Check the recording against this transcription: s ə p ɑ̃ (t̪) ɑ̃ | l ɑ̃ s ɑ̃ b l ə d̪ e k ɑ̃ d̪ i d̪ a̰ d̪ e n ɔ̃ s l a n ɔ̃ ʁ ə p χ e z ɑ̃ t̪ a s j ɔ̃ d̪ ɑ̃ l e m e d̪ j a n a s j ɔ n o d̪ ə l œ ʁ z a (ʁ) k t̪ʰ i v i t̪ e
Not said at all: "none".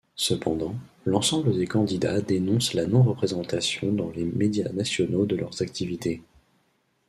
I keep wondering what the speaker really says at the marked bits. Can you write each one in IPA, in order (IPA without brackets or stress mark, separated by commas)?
d̪, none